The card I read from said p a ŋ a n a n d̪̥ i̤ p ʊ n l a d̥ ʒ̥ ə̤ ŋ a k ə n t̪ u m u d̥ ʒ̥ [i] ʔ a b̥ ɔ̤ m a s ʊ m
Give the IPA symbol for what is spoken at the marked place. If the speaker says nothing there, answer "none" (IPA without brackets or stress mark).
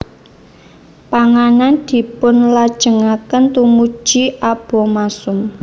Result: i